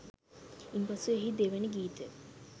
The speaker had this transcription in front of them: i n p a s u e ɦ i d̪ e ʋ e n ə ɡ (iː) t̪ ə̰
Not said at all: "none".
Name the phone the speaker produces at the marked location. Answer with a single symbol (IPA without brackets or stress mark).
iː